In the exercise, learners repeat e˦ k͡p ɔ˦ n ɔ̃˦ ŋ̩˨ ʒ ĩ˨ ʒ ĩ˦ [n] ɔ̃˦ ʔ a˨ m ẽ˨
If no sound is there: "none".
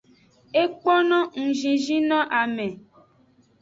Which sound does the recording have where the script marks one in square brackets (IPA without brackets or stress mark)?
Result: n